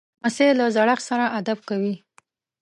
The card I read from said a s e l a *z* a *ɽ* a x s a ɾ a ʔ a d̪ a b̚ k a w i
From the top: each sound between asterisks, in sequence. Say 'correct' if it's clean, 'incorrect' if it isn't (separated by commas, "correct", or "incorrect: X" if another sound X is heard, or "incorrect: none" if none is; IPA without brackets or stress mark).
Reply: correct, correct